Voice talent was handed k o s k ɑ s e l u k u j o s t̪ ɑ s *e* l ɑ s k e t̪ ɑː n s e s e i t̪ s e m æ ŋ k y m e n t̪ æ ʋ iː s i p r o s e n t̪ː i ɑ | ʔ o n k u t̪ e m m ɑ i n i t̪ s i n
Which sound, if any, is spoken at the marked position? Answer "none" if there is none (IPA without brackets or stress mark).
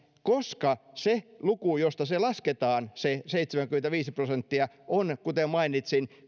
e